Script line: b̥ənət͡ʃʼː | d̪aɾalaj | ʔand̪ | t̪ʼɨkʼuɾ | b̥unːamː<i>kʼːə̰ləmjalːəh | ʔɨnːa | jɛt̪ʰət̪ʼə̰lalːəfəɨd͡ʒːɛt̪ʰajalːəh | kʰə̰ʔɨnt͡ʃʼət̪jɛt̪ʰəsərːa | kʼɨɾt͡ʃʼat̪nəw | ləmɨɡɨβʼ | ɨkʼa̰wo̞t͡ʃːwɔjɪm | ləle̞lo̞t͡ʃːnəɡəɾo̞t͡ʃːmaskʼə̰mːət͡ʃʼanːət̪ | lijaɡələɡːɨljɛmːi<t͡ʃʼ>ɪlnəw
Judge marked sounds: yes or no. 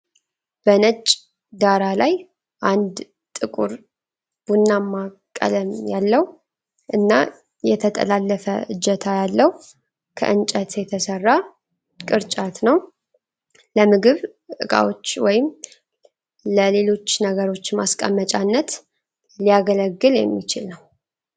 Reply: no, no

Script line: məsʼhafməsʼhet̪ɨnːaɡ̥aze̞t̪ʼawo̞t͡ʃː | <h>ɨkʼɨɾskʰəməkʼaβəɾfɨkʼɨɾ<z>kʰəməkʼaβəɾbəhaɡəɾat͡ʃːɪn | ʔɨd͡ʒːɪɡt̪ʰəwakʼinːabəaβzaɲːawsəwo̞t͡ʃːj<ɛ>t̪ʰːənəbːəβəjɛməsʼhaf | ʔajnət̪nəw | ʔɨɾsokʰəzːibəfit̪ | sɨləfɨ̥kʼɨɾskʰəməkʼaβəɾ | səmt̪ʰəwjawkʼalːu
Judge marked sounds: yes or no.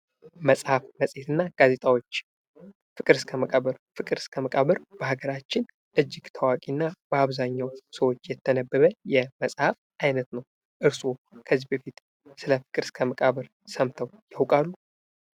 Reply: no, no, yes

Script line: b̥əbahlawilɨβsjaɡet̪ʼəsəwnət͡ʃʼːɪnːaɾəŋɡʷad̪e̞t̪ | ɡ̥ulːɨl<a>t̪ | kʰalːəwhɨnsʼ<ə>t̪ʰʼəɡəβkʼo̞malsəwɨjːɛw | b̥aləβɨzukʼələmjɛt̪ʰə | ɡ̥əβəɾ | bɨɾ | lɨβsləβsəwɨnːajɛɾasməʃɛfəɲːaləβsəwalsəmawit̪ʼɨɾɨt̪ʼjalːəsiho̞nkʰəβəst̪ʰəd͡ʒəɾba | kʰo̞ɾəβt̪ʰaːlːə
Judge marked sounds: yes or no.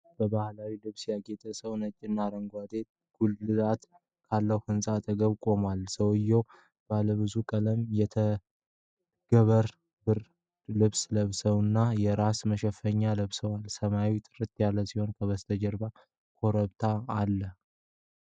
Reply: yes, no

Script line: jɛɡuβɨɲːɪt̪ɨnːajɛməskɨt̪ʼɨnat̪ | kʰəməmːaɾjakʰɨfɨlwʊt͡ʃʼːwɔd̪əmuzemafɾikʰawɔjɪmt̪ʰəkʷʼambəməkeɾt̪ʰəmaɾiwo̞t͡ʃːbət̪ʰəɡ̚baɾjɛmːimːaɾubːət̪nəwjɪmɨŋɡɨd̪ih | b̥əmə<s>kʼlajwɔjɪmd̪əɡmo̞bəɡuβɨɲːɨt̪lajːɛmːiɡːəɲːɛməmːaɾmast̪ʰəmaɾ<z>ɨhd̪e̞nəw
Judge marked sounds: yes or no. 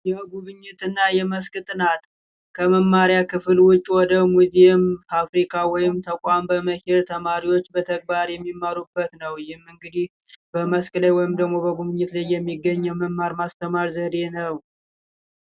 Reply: yes, yes

